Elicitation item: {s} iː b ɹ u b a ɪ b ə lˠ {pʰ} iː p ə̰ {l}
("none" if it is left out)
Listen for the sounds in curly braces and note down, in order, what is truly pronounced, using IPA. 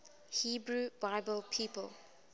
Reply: h, pʰ, l

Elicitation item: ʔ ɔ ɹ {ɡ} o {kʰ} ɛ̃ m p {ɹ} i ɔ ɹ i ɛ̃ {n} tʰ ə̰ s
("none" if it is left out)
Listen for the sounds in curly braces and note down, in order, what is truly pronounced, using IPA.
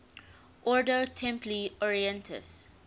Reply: d, tʰ, l, n

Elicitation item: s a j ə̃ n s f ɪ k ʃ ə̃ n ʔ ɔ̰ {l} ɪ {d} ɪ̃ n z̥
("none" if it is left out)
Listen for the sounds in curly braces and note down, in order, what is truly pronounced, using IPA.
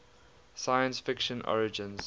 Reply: ɹ, d͡ʒ

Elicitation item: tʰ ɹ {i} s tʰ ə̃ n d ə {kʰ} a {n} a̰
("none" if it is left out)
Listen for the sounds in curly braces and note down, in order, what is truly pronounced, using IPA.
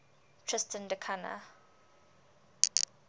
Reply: ɪ, kʰ, n

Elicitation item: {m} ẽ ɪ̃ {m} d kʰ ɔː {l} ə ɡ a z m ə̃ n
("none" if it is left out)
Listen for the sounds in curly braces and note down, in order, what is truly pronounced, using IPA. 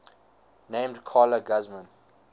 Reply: n, m, l

